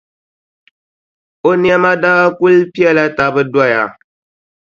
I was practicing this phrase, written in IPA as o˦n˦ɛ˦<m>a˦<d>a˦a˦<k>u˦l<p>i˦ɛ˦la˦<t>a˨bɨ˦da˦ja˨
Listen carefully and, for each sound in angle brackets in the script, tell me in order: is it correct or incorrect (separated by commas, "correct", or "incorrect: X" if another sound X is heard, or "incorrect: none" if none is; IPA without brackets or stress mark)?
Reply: correct, correct, correct, correct, correct